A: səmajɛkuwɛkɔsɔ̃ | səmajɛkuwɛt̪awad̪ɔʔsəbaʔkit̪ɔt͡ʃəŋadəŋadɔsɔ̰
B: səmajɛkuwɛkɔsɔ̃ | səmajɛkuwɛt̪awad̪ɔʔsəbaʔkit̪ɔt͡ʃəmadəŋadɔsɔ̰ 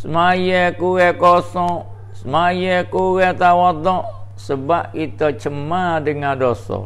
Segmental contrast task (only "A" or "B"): B